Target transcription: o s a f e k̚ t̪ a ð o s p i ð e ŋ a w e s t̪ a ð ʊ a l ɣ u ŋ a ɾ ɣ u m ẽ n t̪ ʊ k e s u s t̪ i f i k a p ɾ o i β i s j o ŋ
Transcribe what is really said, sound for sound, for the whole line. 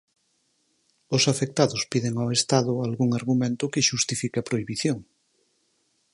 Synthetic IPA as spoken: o s a f e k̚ t̪ a ð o s p i ð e ŋ a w e s t̪ a ð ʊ a l ɣ u ŋ a ɾ ɣ u m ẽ n t̪ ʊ k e ʃ u s t̪ i f i k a p ɾ o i β i θ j o ŋ